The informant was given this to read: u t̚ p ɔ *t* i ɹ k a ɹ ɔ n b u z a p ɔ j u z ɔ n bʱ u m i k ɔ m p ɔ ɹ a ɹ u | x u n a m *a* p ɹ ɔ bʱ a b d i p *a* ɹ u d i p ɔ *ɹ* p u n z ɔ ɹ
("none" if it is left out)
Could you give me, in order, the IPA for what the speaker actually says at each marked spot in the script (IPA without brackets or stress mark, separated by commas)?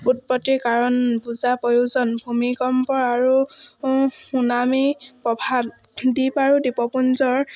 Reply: t, i, a, none